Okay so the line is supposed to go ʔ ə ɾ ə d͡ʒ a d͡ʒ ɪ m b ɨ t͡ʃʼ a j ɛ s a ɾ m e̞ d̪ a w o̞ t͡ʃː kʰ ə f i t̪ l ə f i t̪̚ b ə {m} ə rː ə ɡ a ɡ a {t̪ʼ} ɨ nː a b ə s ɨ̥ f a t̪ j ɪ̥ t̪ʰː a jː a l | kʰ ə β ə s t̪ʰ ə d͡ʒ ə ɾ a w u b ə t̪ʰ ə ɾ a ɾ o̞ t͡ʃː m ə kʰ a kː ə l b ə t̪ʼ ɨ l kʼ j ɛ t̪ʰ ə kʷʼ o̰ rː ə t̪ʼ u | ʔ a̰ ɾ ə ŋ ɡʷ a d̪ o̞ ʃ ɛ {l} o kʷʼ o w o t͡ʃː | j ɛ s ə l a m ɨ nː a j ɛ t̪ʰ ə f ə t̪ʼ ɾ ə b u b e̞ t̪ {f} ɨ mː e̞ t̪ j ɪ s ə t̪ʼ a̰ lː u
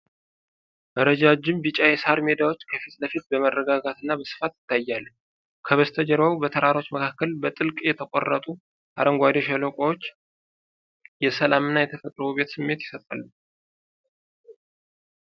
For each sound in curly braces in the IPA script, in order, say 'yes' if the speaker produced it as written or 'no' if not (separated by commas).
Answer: yes, no, yes, no